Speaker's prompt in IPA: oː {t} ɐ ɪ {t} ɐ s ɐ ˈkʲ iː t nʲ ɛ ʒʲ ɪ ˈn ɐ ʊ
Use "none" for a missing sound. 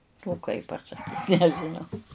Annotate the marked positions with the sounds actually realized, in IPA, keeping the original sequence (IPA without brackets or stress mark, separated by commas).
k, p